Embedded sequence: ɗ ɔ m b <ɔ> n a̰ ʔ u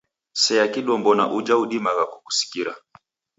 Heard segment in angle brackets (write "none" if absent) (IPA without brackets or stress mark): ɔ